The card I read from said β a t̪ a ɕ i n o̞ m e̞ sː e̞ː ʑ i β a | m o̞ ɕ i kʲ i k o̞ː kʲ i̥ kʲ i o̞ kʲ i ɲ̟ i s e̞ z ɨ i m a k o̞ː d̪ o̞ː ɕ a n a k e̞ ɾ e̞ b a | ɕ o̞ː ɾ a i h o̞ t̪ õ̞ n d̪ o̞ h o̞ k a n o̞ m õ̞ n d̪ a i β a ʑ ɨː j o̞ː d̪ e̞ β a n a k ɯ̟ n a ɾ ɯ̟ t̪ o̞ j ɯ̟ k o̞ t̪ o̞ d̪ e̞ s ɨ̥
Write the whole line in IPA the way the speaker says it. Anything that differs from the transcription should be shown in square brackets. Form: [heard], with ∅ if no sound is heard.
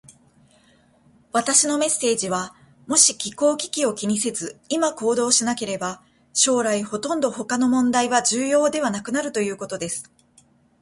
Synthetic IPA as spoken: β a t̪ a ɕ i n o̞ m e̞ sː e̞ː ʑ i β a | m o̞ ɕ i kʲ i k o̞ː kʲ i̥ kʲ i o̞ kʲ i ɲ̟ i s e̞ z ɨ i m a k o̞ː d̪ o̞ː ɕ [i] n a k e̞ ɾ e̞ b a | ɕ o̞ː ɾ a i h o̞ t̪ õ̞ n d̪ o̞ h o̞ k a n o̞ m õ̞ n d̪ a i β a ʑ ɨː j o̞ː d̪ e̞ β a n a k ɯ̟ n a ɾ ɯ̟ t̪ o̞ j [ɯ̟ː] k o̞ t̪ o̞ d̪ e̞ s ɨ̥